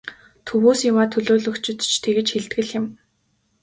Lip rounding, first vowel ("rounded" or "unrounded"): rounded